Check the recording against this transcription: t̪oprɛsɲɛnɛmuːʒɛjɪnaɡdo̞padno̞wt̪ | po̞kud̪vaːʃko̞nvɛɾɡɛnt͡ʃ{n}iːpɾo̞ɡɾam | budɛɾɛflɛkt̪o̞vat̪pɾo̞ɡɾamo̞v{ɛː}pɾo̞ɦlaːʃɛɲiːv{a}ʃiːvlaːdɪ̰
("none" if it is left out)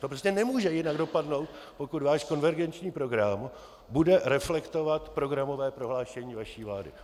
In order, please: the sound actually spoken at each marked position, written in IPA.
ɲ, ɛː, a

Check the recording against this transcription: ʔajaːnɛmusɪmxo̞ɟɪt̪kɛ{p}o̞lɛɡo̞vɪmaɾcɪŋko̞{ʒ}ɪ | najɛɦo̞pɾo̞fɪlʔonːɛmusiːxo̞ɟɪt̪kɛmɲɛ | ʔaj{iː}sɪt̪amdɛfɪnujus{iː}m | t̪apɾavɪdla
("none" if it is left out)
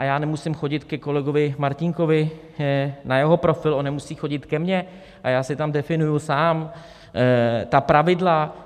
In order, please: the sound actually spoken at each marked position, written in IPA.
k, v, aː, aː

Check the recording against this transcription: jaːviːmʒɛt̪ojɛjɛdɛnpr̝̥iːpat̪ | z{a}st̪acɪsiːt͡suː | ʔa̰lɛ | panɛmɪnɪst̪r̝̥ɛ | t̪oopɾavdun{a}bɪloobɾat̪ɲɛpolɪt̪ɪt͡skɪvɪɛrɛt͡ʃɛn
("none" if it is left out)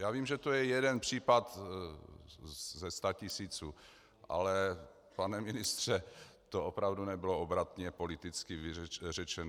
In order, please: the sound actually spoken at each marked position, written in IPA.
ɛ, ɛ

